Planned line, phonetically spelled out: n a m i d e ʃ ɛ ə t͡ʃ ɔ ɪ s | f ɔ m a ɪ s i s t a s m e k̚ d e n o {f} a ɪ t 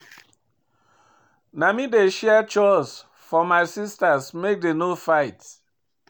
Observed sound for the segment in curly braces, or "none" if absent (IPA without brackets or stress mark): f